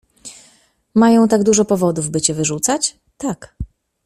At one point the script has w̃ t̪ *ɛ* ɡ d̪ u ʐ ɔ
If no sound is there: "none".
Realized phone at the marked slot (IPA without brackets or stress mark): a